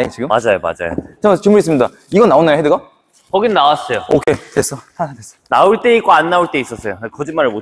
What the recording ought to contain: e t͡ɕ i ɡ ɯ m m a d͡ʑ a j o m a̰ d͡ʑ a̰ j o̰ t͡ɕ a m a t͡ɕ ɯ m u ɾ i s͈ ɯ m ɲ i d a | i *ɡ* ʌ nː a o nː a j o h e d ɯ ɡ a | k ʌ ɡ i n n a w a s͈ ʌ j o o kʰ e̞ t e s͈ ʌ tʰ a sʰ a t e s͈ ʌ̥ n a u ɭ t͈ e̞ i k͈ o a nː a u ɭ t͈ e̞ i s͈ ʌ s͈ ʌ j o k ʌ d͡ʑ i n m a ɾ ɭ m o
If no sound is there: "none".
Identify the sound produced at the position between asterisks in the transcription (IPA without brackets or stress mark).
ɡ